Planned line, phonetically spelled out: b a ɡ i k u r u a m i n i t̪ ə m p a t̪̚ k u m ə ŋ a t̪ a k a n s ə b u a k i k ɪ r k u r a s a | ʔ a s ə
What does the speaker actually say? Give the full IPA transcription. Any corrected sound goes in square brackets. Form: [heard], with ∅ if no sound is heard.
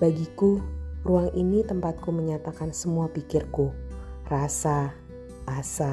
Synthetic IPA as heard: b a ɡ i k u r u a [ŋ] i n i t̪ ə m p a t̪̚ k u m ə [ɲ] a t̪ a k a n s ə [m] u a [p] i k ɪ r k u r a s a | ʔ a s [a]